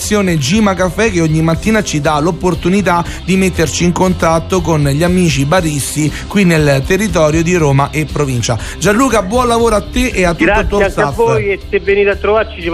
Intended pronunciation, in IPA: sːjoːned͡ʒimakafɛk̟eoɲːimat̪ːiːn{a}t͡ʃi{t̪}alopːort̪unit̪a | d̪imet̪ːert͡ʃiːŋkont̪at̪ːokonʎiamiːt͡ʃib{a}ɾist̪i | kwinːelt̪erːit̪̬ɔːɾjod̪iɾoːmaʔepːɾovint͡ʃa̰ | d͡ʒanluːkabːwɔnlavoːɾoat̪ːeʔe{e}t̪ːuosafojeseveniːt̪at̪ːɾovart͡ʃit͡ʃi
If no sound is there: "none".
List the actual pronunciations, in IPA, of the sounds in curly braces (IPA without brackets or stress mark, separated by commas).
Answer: a, d̪, a, a